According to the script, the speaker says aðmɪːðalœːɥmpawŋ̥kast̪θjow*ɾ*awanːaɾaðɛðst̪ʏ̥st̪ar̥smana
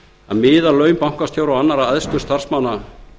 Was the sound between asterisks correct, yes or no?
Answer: yes